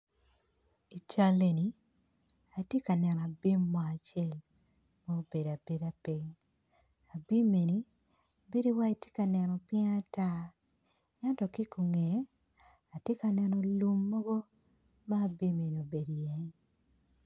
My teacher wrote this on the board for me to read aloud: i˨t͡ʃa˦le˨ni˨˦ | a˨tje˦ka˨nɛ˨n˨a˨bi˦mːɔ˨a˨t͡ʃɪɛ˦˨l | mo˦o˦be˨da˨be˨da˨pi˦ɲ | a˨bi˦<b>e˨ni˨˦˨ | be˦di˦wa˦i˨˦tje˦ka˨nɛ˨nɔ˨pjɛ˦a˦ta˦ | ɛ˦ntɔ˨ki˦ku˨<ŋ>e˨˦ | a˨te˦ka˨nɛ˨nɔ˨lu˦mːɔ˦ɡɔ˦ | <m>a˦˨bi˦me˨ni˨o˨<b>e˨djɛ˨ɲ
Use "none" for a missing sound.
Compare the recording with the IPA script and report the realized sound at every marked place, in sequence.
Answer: m, ŋ, m, b

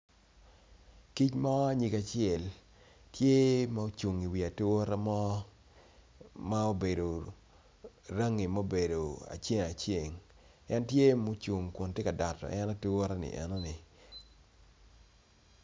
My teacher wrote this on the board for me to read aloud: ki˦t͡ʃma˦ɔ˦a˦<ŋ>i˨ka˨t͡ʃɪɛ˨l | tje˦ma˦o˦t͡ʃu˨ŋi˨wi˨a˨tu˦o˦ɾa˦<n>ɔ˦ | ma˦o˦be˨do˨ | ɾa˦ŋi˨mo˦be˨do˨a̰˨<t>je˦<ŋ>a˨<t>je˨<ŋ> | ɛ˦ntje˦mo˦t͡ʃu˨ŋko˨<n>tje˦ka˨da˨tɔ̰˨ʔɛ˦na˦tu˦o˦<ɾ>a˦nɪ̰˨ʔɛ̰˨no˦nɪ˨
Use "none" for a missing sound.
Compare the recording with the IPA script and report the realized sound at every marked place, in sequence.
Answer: ɲ, m, t͡ʃ, ŋ, t͡ʃ, ŋ, n, ɾ

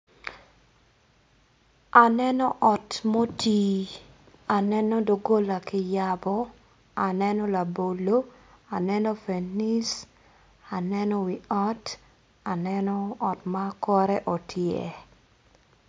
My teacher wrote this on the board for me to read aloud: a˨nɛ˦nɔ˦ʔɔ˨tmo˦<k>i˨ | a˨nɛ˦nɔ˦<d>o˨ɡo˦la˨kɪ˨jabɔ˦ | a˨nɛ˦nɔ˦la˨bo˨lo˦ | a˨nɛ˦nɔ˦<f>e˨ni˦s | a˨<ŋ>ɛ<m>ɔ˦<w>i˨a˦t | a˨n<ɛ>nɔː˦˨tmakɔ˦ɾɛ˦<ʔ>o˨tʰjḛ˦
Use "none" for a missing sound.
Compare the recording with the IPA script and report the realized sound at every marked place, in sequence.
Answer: t, d, f, n, n, w, ɛ, ʔ

